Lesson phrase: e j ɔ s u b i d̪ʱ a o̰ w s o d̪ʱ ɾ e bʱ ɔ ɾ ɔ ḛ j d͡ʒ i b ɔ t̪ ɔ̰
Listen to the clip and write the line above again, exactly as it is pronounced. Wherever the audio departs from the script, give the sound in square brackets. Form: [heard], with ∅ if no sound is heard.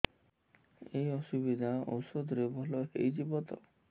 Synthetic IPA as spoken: e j ɔ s u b i d̪ʱ a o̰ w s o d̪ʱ ɾ e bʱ ɔ [l] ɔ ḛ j d͡ʒ i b ɔ t̪ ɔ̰